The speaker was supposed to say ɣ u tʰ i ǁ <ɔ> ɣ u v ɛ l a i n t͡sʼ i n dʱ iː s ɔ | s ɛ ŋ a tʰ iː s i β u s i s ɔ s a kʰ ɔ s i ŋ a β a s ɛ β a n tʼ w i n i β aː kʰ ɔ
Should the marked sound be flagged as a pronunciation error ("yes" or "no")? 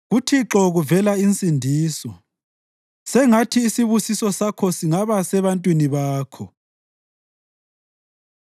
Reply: no